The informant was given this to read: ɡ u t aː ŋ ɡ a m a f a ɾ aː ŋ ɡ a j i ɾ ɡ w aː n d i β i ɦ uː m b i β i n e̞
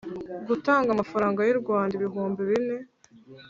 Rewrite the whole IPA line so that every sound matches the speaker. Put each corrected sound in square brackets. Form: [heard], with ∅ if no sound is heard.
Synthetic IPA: ɡ u t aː ŋ ɡ a m a f a ɾ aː ŋ ɡ a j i ɾ ɡ w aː n d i β i ɦ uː m b i β i n e̞